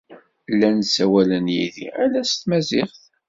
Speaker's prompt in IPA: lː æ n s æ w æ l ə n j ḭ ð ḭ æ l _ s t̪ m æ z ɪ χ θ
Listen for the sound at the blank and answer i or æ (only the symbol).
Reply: æ